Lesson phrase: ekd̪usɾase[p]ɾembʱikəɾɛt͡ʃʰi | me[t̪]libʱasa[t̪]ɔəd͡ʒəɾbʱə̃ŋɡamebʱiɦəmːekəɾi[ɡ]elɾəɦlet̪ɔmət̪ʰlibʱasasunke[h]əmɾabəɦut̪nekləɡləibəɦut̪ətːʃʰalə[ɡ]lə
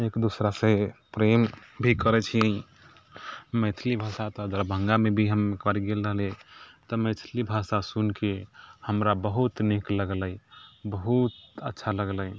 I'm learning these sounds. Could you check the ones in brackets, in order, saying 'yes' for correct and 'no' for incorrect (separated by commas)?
yes, no, yes, yes, yes, yes